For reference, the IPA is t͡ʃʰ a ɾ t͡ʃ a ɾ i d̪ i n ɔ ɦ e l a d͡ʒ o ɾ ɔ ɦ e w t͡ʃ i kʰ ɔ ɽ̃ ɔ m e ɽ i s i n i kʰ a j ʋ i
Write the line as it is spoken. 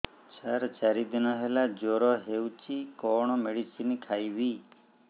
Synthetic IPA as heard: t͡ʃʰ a ɾ t͡ʃ a ɾ i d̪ i n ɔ ɦ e l a d͡ʒ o ɾ ɔ ɦ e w t͡ʃ i k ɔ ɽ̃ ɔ m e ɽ i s i n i kʰ a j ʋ i